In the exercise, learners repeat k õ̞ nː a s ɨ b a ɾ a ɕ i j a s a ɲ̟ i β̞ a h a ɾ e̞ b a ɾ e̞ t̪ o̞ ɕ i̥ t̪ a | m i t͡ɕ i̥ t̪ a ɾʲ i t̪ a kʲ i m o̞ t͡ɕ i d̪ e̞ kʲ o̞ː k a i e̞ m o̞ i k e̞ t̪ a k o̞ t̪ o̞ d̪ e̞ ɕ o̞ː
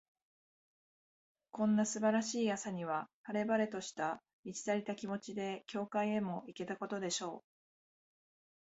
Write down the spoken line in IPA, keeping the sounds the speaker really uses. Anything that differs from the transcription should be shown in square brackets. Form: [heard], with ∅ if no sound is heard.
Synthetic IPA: k õ̞ nː a s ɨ b a ɾ a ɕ [iː] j a s a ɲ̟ i β̞ a h a ɾ e̞ b a ɾ e̞ t̪ o̞ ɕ i̥ t̪ a | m i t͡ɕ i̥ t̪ a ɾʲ i t̪ a kʲ i m o̞ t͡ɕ i d̪ e̞ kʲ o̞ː k a i e̞ m o̞ i k e̞ t̪ a k o̞ t̪ o̞ d̪ e̞ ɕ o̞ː